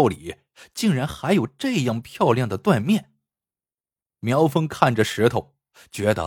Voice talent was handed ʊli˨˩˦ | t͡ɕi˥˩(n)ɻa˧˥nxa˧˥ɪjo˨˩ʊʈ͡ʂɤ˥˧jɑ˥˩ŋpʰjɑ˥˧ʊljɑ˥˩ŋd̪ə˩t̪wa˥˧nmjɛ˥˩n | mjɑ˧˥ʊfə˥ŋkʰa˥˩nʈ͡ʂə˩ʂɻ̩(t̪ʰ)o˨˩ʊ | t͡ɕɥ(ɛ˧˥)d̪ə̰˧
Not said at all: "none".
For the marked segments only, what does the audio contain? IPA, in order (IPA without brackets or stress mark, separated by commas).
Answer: ŋ, t̪ʰ, ɛ˧˥